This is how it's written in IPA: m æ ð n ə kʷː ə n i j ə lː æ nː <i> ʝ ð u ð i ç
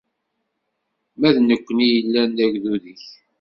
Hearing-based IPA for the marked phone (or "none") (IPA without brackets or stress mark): æ